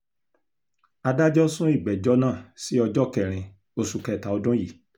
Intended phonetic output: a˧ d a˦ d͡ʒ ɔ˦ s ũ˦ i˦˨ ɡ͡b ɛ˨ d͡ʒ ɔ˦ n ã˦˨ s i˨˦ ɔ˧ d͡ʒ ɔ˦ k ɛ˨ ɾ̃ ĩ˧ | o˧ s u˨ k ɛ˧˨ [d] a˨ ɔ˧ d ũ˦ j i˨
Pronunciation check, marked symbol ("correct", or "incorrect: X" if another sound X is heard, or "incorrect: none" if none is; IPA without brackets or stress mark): incorrect: t